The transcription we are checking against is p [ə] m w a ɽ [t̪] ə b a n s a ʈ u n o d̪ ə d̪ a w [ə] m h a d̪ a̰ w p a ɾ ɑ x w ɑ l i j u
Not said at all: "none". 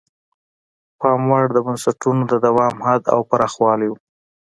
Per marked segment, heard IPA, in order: ɑ, d̪, ɑ

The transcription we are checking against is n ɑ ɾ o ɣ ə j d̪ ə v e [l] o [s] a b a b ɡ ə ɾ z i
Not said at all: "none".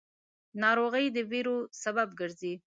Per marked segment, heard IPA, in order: ɾ, s

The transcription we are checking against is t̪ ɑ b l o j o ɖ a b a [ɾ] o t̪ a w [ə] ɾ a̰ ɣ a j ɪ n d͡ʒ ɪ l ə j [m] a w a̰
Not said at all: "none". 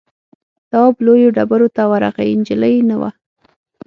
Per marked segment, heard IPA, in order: ɾ, a, n

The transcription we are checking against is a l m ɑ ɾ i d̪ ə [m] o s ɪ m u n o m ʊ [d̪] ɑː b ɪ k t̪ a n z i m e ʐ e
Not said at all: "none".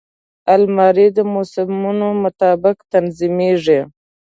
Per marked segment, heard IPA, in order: m, t̪

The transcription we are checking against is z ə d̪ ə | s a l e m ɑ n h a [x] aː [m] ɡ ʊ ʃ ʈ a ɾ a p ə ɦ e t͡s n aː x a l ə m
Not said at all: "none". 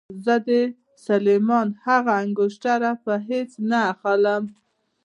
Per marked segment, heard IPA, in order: ɣ, ŋ

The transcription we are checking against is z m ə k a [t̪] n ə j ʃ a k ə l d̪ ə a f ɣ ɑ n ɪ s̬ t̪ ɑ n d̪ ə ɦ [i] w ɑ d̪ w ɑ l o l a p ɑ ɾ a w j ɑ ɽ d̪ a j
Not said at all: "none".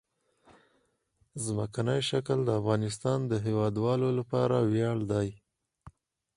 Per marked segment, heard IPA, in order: none, e

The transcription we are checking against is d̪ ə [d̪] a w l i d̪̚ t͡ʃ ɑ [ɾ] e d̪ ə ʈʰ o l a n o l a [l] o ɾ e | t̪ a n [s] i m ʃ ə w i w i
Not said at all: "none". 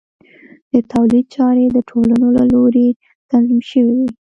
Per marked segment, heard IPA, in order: t̪, ɾ, l, z

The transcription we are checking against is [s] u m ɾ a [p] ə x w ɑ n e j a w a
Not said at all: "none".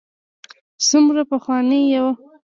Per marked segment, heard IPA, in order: s, p

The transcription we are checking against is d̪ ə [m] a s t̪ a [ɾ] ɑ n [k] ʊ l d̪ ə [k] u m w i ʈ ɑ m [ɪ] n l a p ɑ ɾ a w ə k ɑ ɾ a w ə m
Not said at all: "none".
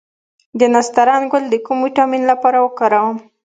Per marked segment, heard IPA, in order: n, ɾ, ɡ, k, i

